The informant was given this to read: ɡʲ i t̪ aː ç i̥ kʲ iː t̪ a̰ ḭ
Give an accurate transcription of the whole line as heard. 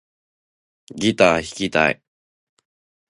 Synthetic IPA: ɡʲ i t̪ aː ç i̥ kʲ i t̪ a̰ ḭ